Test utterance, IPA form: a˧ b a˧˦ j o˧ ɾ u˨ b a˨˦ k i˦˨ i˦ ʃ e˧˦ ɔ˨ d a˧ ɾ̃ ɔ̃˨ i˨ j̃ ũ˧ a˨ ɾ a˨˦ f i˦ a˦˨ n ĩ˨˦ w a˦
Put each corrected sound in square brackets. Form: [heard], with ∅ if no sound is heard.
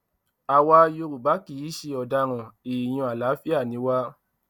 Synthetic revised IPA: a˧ [w] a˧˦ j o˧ ɾ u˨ b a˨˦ k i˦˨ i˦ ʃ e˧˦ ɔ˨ d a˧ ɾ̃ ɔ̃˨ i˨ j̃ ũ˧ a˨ [l] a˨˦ f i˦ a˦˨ n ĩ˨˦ w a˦